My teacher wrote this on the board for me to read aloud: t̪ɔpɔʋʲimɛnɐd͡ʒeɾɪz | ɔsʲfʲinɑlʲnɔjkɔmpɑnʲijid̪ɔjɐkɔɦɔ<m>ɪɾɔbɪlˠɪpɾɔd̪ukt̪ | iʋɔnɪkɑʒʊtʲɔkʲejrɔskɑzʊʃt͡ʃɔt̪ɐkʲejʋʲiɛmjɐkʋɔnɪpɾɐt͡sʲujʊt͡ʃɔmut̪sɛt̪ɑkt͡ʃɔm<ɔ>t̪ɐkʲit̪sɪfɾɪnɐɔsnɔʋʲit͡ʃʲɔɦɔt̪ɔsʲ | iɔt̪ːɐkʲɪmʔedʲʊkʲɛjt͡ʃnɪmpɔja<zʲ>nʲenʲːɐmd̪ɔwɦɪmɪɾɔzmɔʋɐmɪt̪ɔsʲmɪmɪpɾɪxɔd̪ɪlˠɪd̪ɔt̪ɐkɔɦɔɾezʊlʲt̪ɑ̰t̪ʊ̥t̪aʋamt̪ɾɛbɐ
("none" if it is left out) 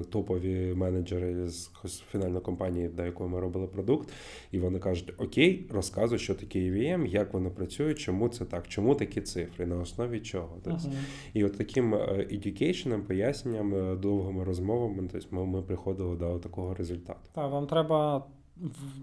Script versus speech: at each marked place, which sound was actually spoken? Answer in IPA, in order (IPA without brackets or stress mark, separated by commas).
m, u, sʲ